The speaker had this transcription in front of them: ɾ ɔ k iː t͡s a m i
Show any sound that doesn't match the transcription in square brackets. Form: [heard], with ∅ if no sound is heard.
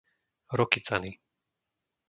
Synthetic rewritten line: ɾ ɔ k [i] t͡s a [n] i